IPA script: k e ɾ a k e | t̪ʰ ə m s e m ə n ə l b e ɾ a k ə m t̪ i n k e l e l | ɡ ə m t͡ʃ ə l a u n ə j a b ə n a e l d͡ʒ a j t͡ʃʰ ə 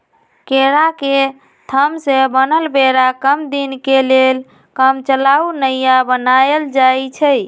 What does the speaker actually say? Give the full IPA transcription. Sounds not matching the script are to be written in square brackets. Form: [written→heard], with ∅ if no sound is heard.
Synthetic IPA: k e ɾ a k e | t̪ʰ ə m s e [m→b] ə n ə l b e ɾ a k ə m [t̪→d̪] i n k e l e l | [ɡ→k] ə m t͡ʃ ə l a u n ə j a b ə n a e l d͡ʒ a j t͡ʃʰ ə